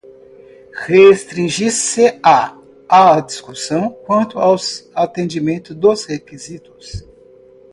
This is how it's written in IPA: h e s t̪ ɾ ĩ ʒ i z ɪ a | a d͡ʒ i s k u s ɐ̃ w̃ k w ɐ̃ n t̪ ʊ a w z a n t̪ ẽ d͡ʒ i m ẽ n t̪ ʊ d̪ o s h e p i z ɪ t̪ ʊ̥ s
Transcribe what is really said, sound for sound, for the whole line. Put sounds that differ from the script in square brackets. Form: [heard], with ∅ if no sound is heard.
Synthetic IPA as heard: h e s t̪ ɾ ĩ ʒ i [s] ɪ a | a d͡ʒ i s k u s ɐ̃ w̃ k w ɐ̃ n t̪ ʊ a w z a [∅] t̪ ẽ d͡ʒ i m ẽ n t̪ ʊ d̪ o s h e [k] i z [i] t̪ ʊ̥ s